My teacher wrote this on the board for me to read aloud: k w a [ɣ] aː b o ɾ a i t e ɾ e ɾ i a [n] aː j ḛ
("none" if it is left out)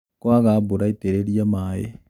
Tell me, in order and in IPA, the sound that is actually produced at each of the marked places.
ɣ, m

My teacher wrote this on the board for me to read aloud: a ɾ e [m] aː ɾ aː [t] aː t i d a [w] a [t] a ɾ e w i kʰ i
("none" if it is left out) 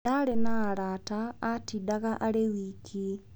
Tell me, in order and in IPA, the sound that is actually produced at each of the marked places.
n, t, ɣ, ʔ

